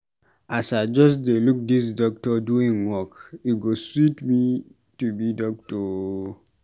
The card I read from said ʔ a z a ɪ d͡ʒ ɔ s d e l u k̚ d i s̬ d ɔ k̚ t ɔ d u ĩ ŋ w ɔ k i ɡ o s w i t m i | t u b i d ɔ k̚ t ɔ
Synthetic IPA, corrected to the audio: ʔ a s a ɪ d͡ʒ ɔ s d e l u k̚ d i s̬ d ɔ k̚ t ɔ d u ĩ ŋ w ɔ k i ɡ o s w i t m i | t u b i d ɔ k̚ t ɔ